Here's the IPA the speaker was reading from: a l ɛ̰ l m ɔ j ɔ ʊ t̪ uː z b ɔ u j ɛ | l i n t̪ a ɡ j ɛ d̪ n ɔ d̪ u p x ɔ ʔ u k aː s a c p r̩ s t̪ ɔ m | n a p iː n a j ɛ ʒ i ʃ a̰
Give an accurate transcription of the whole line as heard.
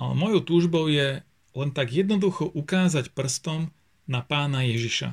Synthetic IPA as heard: a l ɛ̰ m ɔ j ɔ ʊ t̪ uː ʒ b ɔ ʊ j ɛ | l ɛ n t̪ a ɡ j ɛ d̪ n ɔ d̪ u x ɔ ʔ u k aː z a c p r̩ s t̪ ɔ m | n a p aː n a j ɛ ʒ i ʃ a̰